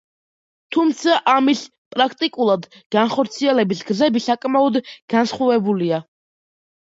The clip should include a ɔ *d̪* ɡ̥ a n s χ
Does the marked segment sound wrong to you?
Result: no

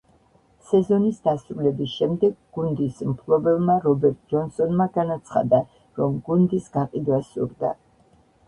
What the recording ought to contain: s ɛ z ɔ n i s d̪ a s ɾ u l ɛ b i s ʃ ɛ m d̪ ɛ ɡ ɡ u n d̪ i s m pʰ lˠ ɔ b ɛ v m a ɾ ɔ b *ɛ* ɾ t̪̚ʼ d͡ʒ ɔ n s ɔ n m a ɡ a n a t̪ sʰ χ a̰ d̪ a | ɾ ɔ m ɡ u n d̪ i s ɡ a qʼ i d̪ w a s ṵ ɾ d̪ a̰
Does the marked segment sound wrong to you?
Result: no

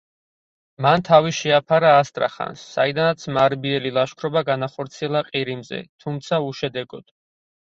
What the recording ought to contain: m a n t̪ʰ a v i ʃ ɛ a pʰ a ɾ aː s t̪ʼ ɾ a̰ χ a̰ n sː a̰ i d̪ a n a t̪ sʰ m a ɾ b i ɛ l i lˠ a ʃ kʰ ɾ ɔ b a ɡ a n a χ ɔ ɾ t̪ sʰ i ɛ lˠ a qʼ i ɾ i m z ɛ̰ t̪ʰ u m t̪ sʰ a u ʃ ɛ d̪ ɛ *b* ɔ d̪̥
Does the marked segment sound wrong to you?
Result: yes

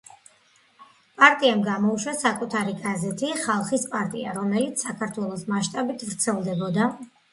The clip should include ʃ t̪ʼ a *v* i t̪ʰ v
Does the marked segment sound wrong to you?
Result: yes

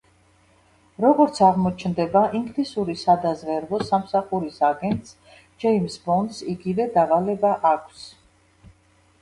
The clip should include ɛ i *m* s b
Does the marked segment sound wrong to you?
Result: no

